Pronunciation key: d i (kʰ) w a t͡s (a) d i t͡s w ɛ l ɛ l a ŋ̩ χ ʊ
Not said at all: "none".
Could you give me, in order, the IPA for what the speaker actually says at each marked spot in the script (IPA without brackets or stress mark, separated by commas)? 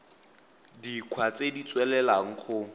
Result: kʰ, e